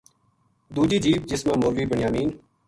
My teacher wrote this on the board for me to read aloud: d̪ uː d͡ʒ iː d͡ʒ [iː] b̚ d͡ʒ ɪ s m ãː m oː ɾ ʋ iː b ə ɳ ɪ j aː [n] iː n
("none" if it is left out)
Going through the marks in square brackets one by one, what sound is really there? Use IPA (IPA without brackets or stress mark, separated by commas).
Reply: iː, m